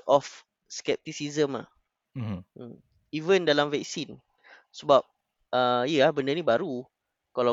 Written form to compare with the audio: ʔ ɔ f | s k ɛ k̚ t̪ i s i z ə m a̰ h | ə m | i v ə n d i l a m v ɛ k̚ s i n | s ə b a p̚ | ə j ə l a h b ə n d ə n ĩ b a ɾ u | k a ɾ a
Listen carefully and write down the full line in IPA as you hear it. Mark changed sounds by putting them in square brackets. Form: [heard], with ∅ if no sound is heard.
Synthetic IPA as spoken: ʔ ɔ f | s k ɛ [p̚] t̪ i s i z ə m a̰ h | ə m | i v ə n d [a] l a m v ɛ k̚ s i n | s ə b a p̚ | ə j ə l a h b ə n d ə n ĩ b a ɾ u | k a [l] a